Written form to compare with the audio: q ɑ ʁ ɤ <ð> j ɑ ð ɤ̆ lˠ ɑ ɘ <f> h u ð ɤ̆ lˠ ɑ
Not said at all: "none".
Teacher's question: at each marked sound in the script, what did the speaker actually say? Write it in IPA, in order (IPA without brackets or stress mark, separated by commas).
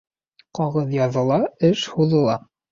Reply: ð, ʃ